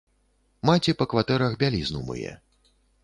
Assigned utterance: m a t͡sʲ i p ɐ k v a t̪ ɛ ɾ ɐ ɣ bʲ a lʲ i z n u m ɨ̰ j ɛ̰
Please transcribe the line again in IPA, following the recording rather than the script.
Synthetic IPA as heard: m a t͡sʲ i p ɐ k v a t̪ ɛ ɾ ɐ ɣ bʲ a lʲ i z n u m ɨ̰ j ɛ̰

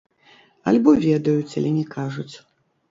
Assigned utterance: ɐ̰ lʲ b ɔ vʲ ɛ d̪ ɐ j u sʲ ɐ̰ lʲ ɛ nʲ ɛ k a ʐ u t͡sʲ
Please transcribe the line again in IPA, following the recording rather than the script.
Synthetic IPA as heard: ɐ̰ lʲ b ɔ vʲ ɛ d̪ ɐ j u t͡sʲ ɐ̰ lʲ ɛ nʲ ɛ k a ʐ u t͡sʲ

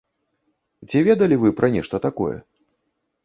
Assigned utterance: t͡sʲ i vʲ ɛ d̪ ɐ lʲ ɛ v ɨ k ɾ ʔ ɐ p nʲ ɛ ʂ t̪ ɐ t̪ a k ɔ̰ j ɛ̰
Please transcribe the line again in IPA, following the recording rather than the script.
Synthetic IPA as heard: t͡sʲ i vʲ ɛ d̪ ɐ lʲ i v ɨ p ɾ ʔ ɐ nʲ ɛ ʂ t̪ ɐ t̪ a k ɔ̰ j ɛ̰

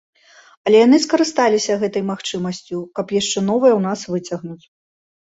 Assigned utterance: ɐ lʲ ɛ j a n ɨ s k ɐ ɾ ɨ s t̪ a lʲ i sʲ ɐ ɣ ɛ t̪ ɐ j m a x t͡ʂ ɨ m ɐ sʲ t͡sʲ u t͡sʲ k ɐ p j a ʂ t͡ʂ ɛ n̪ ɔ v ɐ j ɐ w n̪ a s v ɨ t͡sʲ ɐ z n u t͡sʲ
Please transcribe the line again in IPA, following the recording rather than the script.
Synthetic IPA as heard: ɐ lʲ ɛ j a n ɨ s k ɐ ɾ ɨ s t̪ a lʲ i sʲ ɐ ɣ ɛ t̪ ɐ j m a x t͡ʂ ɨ m ɐ sʲ t͡sʲ u k ɐ p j a ʂ t͡ʂ ɛ n̪ ɔ v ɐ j ɐ w n̪ a s v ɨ t͡sʲ ɐ ɣ n u t͡sʲ

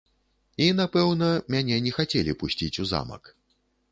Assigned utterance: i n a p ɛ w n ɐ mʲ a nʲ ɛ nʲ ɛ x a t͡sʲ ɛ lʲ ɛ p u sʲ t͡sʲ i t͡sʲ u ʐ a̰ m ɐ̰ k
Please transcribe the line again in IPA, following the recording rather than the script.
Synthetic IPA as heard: i n a p ɛ w n ɐ mʲ a nʲ ɛ nʲ ɛ x a t͡sʲ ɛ lʲ i p u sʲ t͡sʲ i t͡sʲ u z a̰ m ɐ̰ k

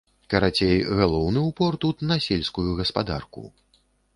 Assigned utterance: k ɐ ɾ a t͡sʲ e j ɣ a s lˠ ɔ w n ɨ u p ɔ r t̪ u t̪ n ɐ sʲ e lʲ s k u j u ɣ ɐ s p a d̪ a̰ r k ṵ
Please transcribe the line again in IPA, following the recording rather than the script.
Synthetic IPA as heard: k ɐ ɾ a t͡sʲ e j ɣ a lˠ ɔ w n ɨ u p ɔ r t̪ u t̪ n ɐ sʲ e lʲ s k u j u ɣ ɐ s p a d̪ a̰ r k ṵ

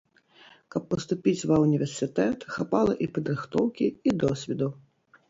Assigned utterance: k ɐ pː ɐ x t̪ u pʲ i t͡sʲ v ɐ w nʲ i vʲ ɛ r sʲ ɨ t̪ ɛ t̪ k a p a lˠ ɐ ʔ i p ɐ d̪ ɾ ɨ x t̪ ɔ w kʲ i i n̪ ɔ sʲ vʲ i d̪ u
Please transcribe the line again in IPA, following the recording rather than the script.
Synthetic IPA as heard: k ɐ pː ɐ s t̪ u pʲ i t͡sʲ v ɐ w nʲ i vʲ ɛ r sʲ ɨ t̪ ɛ t̪ x a p a lˠ ɐ ʔ i p ɐ d̪ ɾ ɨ x t̪ ɔ w kʲ i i d̪ ɔ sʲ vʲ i d̪ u

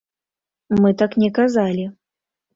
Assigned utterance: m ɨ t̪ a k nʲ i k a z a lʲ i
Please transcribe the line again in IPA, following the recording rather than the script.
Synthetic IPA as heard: m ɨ t̪ a k nʲ ɛ k a z a lʲ i

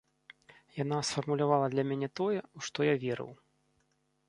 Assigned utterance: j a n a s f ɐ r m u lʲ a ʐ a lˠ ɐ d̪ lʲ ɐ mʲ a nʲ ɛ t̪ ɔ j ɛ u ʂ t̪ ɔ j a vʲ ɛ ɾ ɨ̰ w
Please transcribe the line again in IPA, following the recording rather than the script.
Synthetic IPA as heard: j a n a s f ɐ r m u lʲ a v a lˠ ɐ d̪ lʲ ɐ mʲ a nʲ ɛ t̪ ɔ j ɛ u ʂ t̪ ɔ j a vʲ ɛ ɾ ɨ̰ w

